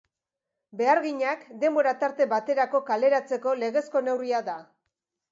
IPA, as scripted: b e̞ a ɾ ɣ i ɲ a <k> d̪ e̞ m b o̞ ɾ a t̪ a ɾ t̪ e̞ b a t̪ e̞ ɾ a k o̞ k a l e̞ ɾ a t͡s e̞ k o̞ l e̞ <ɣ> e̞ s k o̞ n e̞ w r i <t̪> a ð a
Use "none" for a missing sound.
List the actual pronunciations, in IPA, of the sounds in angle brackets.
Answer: k, ɣ, none

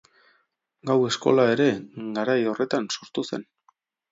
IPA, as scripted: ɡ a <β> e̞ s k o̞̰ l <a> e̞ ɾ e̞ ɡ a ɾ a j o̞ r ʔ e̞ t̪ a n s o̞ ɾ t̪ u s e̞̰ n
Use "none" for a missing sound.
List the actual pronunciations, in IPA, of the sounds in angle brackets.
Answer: w, a

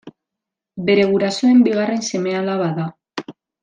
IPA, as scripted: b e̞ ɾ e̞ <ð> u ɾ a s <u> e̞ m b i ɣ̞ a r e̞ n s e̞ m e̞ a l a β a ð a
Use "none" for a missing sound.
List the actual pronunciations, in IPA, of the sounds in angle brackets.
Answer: ɣ, o

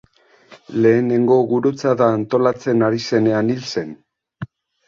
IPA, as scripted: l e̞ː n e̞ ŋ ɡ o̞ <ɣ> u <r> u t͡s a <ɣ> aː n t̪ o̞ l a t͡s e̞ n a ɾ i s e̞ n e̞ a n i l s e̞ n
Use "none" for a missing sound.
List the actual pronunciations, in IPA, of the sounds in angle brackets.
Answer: ɣ, ɾ, ð

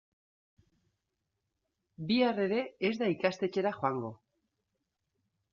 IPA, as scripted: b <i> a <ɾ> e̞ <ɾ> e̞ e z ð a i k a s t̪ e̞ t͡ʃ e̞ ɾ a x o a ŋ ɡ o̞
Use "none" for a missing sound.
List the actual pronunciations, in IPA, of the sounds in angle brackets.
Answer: i, r, ɾ

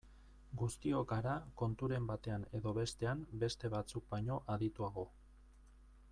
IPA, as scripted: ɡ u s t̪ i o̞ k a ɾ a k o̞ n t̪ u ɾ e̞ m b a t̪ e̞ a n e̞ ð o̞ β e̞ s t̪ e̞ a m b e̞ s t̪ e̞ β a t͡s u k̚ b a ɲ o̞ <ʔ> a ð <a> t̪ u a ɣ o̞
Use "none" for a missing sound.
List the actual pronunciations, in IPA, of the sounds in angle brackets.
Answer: ʔ, i

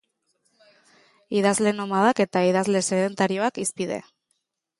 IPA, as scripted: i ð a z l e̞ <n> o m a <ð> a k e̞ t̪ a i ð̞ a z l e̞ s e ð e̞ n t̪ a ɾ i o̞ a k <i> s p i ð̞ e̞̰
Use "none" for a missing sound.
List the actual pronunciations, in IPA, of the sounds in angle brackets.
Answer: n, ð, i

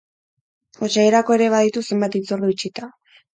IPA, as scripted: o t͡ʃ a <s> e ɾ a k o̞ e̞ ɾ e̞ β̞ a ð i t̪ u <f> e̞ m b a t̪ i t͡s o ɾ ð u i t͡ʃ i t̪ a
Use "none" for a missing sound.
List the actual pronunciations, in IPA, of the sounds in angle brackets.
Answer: none, s

